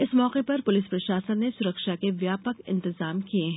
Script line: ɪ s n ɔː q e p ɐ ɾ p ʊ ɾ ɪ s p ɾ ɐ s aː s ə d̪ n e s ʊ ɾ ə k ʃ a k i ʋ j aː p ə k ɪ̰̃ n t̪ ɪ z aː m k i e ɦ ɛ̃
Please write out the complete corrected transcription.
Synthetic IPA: ɪ s m ɔː q e p ɐ ɾ p ʊ l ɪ s p ɾ ɐ ʃ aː s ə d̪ n e s ʊ ɾ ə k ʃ a k e ʋ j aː p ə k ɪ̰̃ n t̪ ɪ z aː m k i e ɦ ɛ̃